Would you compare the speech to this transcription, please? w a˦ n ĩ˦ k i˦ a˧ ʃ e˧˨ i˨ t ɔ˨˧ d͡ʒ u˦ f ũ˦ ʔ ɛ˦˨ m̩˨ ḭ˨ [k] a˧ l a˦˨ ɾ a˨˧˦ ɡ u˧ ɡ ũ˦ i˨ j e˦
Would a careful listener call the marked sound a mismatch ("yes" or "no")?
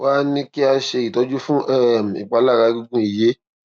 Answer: yes